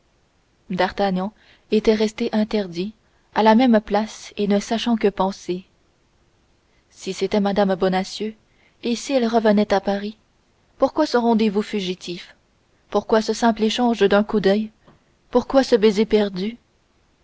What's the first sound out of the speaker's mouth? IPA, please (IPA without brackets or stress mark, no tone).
d̪